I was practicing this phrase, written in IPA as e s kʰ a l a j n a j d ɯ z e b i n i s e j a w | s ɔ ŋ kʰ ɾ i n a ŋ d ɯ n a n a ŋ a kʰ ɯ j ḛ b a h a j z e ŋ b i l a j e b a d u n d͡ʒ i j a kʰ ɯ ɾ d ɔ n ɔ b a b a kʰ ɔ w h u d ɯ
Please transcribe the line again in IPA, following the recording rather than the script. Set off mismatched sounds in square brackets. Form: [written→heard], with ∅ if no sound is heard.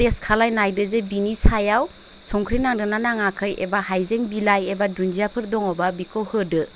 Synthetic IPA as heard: e s kʰ a l a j n a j d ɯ z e b i n i s [e→a] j a w | s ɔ ŋ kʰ ɾ i n a ŋ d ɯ n a n a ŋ a kʰ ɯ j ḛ b a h a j z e ŋ b i l a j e b a d u n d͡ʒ i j a [kʰ→pʰ] ɯ ɾ d ɔ [n→ŋ] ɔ b a b [a→i] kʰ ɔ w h [u→ɯ] d ɯ